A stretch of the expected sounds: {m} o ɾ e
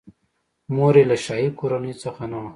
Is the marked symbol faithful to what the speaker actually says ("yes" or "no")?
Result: yes